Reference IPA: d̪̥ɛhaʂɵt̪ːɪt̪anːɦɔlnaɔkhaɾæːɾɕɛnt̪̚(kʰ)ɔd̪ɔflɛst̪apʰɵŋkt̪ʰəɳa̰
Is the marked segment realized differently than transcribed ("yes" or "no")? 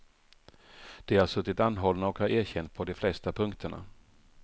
yes